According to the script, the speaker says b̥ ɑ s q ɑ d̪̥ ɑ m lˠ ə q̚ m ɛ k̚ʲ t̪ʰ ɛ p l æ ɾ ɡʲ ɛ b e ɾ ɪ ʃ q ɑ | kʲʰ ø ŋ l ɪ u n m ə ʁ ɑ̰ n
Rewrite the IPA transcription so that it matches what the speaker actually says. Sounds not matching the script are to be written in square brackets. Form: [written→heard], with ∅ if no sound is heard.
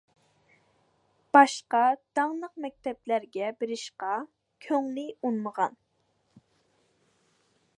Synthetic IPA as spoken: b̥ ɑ [s→ʃ] q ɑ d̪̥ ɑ [m→ŋ] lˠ ə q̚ m ɛ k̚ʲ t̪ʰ ɛ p l æ ɾ ɡʲ ɛ b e ɾ ɪ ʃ q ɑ | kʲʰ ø ŋ l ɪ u n m ə ʁ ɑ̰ n